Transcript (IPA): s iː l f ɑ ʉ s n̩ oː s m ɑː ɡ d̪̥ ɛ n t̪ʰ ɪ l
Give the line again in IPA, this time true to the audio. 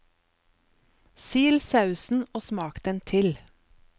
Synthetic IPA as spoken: s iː l s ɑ ʉ s n̩ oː s m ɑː k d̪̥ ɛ n t̪ʰ ɪ l